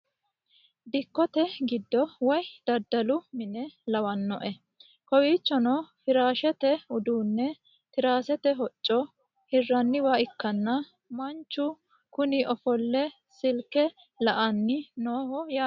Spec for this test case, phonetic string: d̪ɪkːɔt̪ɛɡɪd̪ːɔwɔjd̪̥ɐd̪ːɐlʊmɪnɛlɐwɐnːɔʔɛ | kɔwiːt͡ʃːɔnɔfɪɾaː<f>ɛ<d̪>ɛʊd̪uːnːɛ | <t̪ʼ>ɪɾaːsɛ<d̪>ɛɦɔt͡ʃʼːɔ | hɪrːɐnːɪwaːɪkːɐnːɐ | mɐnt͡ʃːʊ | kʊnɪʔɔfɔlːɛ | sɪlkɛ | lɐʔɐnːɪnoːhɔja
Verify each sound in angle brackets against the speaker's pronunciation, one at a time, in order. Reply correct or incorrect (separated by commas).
incorrect, incorrect, incorrect, incorrect